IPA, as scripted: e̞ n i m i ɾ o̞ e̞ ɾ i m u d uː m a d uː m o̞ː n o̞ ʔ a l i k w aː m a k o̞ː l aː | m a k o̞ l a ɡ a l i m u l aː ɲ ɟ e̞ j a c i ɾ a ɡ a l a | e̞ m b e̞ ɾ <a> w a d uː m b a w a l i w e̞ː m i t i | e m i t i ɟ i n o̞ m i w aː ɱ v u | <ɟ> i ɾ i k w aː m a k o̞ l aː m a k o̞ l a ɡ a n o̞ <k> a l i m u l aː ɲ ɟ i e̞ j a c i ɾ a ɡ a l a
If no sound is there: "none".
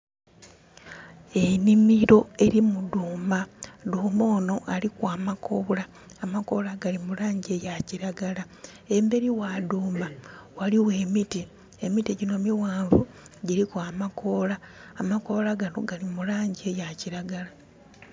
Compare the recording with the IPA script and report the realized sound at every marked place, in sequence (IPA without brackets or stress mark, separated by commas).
i, ɟ, ɡ